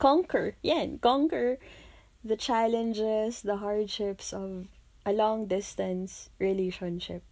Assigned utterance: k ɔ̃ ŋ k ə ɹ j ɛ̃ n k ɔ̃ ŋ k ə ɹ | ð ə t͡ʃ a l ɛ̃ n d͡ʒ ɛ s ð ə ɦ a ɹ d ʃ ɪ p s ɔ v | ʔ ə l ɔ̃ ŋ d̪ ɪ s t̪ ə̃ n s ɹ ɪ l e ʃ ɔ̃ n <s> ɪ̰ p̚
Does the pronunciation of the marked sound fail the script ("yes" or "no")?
yes